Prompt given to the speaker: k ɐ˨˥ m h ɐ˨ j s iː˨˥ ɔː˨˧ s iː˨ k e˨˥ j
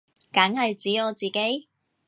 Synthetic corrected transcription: k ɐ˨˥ ŋ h ɐ˨ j t͡s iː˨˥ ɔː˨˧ t͡s iː˨ k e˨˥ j